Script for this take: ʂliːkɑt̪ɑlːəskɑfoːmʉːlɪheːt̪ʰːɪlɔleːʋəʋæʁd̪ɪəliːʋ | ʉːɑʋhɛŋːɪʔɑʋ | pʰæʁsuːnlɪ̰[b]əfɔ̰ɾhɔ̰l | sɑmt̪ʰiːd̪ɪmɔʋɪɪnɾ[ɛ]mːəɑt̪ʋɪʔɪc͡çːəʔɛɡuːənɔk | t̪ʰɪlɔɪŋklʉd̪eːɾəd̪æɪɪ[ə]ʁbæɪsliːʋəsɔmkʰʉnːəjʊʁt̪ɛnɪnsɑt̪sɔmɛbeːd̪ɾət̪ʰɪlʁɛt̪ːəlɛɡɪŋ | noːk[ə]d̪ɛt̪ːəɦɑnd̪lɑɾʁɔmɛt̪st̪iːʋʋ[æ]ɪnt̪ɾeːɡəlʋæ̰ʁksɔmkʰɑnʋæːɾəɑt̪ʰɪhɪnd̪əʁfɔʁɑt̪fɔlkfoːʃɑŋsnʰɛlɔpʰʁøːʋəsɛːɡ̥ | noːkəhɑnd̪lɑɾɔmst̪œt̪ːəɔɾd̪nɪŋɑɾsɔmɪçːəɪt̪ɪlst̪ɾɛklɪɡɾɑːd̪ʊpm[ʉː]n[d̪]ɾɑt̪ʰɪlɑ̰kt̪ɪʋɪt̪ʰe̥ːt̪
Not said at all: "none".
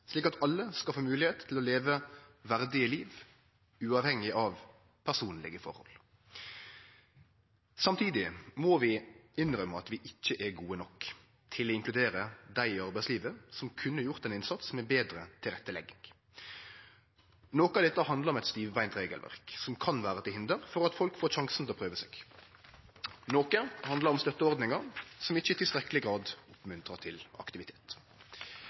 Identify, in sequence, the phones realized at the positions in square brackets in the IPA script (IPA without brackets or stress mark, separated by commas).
ɡ, œ, ɑ, ɑ, æ, ʉ, t̪